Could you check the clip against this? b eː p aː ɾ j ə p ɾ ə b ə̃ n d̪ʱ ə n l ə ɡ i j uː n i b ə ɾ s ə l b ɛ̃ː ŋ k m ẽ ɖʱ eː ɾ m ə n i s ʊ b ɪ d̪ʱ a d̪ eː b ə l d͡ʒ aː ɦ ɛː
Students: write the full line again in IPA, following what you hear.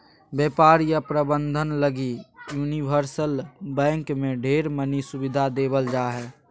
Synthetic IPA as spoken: b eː p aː ɾ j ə p ɾ ə b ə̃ n d̪ʱ ə n l ə ɡ i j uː n i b ə ɾ s ə l b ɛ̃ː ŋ k m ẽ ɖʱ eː ɾ m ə n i s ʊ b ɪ d̪ʱ a d̪ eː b ə l d͡ʒ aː ɦ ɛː